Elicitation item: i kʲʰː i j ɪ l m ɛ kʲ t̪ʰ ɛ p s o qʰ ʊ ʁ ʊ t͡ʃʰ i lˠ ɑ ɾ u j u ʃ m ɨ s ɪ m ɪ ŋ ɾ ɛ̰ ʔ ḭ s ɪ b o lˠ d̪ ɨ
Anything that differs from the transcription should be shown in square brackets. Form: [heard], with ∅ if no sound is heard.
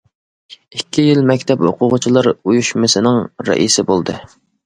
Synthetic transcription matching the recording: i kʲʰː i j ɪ l m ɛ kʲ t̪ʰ ɛ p [h] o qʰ ʊ ʁ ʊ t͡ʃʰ i lˠ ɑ ɾ u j u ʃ m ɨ s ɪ [n] ɪ ŋ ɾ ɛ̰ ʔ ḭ s ɪ b o lˠ d̪ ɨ